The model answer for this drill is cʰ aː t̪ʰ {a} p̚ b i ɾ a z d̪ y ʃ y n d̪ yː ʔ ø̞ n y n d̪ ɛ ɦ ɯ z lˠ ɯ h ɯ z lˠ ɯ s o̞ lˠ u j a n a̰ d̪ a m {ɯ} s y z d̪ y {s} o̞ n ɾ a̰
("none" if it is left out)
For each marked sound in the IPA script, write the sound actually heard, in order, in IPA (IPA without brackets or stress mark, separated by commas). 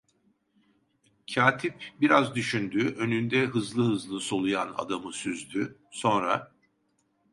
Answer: i, ɯ, s